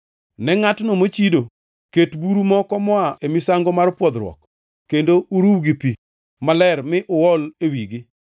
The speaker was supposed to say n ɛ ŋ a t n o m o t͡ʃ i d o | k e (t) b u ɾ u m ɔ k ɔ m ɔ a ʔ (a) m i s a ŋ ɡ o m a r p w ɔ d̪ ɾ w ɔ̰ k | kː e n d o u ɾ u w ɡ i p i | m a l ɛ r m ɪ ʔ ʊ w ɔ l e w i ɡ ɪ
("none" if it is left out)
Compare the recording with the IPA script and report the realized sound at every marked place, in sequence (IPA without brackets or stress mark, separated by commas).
t, e